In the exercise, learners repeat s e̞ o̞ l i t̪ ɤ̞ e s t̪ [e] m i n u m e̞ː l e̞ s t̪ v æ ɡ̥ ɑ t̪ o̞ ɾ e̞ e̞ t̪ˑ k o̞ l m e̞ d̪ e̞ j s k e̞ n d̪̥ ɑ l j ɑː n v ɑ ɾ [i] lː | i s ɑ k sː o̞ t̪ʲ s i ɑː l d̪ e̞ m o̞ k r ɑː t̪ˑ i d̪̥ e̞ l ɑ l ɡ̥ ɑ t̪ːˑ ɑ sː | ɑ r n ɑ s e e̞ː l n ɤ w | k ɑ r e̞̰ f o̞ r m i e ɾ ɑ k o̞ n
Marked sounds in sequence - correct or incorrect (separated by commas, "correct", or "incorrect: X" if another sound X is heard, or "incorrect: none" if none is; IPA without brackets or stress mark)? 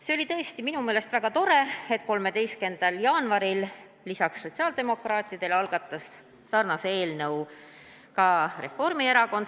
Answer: incorrect: i, correct